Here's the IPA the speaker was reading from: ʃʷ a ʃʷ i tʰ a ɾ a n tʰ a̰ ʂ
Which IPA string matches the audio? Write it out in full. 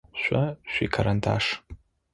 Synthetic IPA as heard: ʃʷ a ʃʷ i kʰ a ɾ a n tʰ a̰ ʂ

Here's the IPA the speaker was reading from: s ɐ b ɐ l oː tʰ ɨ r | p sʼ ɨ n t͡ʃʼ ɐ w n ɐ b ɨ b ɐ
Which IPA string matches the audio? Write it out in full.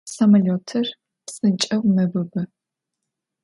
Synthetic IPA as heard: s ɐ m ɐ l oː tʰ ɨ r | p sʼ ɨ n t͡ʃʼ ɐ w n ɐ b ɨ b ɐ

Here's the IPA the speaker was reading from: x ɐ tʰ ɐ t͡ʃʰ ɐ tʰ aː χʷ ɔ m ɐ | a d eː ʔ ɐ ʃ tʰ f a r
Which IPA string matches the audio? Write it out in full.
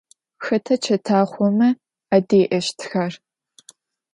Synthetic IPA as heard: x ɐ tʰ ɐ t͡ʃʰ ɐ tʰ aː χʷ ɔ m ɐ | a d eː ʔ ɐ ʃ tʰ x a r

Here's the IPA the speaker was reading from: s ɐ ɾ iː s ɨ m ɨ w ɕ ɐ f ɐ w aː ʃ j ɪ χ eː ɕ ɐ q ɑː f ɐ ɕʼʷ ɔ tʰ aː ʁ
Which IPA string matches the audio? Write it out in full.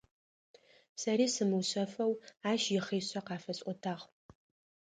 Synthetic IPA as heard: s ɐ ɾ iː s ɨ m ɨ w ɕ ɐ f ɐ w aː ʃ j ɪ χ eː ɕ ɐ q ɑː f ɐ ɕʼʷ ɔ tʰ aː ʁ

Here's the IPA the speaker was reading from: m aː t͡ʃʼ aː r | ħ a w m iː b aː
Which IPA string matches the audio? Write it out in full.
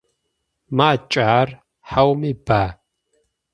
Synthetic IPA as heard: m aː t͡ʃʼ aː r | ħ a w m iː b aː

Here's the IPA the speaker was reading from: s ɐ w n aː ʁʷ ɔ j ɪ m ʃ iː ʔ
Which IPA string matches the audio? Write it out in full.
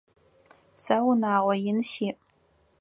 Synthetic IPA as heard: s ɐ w n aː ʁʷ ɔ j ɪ n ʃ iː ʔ

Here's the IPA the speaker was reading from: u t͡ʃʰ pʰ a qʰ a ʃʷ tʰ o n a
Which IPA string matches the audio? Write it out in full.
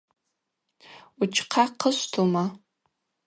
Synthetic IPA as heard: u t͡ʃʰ qʰ a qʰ ə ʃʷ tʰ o m a

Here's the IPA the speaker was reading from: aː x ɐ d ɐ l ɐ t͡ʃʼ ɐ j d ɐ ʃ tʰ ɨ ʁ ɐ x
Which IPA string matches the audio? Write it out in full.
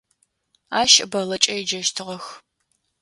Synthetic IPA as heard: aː ʃ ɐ b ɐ l ɐ t͡ʃʼ ɐ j d͡ʒ ɐ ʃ tʰ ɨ ʁ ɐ x

